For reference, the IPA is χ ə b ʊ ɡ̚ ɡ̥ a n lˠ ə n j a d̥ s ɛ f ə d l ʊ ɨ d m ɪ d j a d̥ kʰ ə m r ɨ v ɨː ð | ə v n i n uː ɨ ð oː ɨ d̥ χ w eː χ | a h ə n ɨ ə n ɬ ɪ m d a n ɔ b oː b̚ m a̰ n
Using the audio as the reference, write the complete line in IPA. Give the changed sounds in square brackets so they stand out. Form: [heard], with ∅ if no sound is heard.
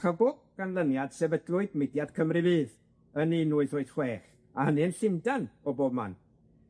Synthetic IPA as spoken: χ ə b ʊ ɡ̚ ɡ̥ a n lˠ ə n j a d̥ s ɛ [v] ə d l ʊ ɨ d m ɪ d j a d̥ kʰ ə m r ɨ v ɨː ð | ə [∅] n i n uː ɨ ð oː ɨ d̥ χ w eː χ | a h ə n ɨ ə n ɬ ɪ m d a n ɔ b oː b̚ m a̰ n